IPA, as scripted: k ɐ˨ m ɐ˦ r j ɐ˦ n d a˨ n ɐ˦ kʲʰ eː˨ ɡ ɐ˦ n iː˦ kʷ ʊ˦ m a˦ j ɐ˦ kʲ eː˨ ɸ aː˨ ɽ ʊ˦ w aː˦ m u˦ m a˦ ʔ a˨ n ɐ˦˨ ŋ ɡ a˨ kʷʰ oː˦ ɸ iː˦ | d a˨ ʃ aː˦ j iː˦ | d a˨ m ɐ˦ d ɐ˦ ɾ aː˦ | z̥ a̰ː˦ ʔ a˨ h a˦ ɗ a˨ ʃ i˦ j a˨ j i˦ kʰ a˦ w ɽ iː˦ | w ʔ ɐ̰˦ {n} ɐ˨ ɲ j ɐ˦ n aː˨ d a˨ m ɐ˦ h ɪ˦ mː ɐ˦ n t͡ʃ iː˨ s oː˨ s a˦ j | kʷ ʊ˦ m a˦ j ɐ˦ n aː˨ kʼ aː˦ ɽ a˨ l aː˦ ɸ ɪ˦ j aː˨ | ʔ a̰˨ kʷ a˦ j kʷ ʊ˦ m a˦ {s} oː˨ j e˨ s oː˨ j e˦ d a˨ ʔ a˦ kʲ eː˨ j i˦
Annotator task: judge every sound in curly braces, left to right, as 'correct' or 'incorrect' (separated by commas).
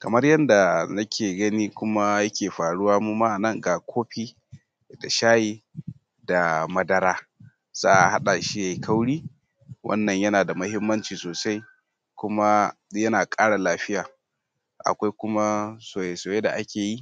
incorrect, correct